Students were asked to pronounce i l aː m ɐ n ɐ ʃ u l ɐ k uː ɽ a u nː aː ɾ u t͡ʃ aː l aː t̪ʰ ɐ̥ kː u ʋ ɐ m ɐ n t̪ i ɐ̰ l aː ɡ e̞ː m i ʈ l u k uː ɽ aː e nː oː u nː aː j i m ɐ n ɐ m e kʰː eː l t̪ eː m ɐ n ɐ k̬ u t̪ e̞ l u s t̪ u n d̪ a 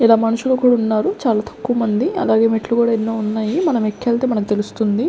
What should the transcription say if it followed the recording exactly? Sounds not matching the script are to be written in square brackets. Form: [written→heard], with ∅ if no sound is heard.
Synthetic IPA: i l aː m ɐ n ɐ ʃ u l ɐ k uː ɽ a u nː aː ɾ u t͡ʃ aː l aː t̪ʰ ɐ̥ kː u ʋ ɐ m ɐ n [t̪→d̪] i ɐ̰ l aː ɡ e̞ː m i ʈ l u k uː ɽ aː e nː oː u nː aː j i m ɐ n ɐ m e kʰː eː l t̪ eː m ɐ n ɐ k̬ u t̪ e̞ l u s t̪ u n d̪ [a→i]